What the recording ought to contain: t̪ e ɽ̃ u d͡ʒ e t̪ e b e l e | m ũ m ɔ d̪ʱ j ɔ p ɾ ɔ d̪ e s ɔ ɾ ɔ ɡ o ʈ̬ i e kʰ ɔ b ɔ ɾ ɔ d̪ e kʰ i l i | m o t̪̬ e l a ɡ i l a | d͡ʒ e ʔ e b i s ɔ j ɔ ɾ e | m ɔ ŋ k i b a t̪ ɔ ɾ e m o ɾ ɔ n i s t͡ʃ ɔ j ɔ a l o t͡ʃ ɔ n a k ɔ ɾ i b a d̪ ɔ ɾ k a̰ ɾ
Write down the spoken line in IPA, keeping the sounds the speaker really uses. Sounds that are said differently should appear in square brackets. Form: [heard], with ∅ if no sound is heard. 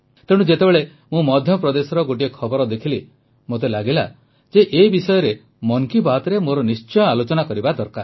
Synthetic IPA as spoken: t̪ e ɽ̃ u d͡ʒ e t̪ e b e [ɭ] e | m ũ m ɔ d̪ʱ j ɔ p ɾ ɔ d̪ e s ɔ ɾ ɔ ɡ o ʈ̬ i e kʰ ɔ b ɔ ɾ ɔ d̪ e kʰ i l i | m o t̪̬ e l a ɡ i l a | d͡ʒ e ʔ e b i s ɔ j ɔ ɾ e | m ɔ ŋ k i b a t̪ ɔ ɾ e m o ɾ ɔ n i s t͡ʃ ɔ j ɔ a l o t͡ʃ ɔ n a k ɔ ɾ i b a d̪ ɔ ɾ k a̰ ɾ